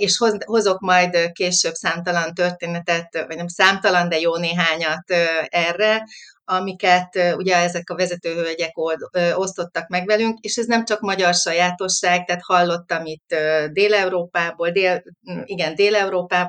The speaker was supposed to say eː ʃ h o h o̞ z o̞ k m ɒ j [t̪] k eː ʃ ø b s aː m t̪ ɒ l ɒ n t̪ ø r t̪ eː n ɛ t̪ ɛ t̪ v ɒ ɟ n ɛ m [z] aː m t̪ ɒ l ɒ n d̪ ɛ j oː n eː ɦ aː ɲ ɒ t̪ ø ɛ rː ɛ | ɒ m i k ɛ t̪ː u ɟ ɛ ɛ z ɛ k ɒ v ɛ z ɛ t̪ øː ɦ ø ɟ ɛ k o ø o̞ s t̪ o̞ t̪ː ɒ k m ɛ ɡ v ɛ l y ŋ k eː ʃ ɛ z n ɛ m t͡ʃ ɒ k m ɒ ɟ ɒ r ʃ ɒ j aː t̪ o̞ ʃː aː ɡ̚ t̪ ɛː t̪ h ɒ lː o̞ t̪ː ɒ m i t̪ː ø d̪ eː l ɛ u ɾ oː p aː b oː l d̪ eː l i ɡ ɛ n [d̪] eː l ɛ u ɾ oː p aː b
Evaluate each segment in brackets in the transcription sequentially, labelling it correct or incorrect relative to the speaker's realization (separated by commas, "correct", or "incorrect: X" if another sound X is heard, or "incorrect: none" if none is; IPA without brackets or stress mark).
incorrect: d̪, incorrect: s, correct